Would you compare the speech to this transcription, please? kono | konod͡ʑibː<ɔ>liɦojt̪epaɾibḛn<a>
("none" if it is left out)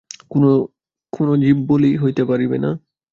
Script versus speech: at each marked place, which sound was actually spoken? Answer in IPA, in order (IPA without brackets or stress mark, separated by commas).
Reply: o, a